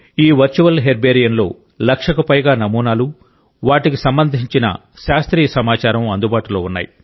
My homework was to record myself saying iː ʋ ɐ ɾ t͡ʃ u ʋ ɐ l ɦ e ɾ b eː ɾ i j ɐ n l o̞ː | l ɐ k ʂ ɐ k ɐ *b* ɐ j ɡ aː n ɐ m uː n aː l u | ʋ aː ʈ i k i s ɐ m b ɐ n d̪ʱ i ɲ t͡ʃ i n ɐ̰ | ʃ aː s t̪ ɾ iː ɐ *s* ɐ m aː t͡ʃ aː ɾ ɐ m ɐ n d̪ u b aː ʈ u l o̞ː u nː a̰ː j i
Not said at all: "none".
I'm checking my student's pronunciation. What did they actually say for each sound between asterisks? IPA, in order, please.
p, s

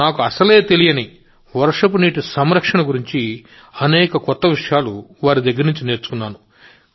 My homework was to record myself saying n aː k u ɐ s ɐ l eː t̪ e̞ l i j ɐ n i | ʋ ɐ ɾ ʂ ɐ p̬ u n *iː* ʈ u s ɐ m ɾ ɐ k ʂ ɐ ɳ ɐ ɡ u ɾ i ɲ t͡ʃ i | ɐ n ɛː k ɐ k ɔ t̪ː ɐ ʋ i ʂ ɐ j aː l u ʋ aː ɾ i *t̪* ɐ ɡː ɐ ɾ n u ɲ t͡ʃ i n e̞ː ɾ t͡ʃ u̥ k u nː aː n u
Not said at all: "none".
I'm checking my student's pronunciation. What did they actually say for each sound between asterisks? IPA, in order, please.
iː, d̪

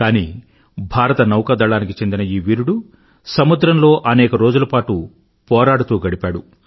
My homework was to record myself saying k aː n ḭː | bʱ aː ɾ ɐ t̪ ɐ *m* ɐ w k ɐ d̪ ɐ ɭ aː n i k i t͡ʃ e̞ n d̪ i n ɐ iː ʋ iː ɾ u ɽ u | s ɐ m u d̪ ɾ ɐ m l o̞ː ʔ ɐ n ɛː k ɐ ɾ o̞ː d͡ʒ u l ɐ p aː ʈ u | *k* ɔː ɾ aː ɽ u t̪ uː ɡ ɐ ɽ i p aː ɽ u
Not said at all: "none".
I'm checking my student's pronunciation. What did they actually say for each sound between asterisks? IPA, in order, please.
n, p

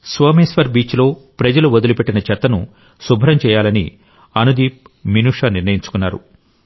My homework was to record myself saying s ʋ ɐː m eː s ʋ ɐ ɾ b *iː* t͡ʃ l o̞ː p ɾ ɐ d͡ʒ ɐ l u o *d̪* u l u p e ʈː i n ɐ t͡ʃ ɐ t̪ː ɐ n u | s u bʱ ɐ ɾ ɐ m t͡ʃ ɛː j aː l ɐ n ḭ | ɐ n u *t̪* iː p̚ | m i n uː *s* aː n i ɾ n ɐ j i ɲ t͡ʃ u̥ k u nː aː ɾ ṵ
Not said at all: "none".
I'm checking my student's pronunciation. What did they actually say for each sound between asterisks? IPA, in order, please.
iː, d̪, d̪, ʂ

